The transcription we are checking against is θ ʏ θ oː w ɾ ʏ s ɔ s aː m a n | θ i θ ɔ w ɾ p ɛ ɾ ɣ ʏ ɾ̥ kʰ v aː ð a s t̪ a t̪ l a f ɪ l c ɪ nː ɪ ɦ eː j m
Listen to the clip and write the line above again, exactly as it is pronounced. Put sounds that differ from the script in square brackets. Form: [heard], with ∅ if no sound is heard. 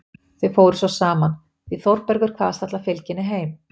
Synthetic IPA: θ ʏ [f] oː w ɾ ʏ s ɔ s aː m a n | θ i θ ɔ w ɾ p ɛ ɾ ɣ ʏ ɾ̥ kʰ v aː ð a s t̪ a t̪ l a f ɪ l c ɪ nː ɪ ɦ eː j m

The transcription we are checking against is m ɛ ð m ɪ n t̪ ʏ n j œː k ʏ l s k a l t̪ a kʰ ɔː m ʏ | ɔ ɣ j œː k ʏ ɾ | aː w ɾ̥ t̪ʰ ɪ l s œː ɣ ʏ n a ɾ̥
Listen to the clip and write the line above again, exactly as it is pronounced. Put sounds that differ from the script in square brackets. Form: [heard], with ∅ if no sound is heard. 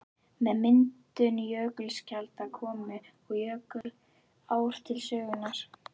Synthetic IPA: m ɛ ð m ɪ n t̪ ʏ n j œː k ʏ l s [c] a l t̪ a kʰ ɔː m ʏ | ɔ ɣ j œː k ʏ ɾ | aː w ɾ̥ t̪ʰ ɪ l s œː ɣ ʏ n a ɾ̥

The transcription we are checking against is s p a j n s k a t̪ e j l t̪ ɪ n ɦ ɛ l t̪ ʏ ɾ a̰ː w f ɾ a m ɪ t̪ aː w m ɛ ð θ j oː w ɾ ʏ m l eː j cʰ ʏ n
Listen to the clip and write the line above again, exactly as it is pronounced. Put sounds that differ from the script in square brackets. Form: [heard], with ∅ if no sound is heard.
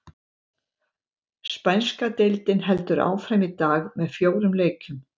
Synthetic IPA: s p a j n s k a t̪ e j l t̪ ɪ n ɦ ɛ l t̪ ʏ ɾ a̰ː w f ɾ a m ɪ t̪ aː [ɣ] m ɛ ð [f] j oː w ɾ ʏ m l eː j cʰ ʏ [m]

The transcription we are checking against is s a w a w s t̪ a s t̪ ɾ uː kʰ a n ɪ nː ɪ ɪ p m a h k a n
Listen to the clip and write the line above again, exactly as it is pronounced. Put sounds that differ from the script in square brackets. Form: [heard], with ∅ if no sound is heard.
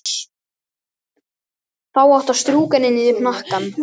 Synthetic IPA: [θ] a w a w [h] t̪ a s t̪ ɾ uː [k] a n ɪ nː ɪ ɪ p [n] a h k a n

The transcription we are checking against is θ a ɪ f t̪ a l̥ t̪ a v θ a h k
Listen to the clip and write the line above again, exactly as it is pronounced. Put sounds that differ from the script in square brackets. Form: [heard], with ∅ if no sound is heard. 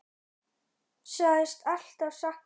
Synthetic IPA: [s] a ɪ [s] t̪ a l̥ t̪ a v [s] a h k

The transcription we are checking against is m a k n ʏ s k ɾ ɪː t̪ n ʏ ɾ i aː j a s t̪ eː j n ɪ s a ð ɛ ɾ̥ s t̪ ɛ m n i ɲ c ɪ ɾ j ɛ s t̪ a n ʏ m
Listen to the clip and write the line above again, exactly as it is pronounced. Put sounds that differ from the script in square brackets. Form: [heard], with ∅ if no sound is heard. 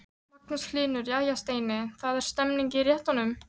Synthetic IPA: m a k n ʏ s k [l] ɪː [∅] n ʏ ɾ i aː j a s t̪ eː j n ɪ [θ] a ð ɛ ɾ̥ s t̪ ɛ m n i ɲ c ɪ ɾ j ɛ [h] t̪ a n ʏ m

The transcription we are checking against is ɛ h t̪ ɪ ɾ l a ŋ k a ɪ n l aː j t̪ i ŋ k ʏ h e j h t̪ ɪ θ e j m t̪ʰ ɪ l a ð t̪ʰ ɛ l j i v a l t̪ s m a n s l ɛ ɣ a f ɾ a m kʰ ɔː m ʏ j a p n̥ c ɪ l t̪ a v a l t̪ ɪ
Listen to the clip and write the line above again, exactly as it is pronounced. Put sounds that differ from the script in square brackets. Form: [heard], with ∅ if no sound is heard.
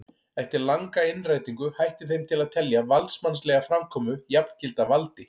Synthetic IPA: ɛ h t̪ ɪ ɾ l a ŋ k a ɪ n [r] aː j t̪ i ŋ k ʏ h [a] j h t̪ ɪ θ e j m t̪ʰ ɪ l a ð t̪ʰ ɛ l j [a] v a l t̪ s m a n s l ɛ ɣ a f ɾ a m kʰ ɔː m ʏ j a p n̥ c ɪ l t̪ a v a l t̪ ɪ

